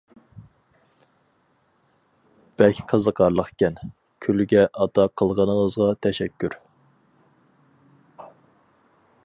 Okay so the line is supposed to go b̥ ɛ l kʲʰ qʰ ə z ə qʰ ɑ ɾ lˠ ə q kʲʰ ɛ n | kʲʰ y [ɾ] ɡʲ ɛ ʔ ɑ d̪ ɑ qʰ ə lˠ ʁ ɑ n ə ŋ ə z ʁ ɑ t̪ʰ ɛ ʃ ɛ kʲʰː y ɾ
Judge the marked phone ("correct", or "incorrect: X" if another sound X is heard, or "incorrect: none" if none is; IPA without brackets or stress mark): incorrect: l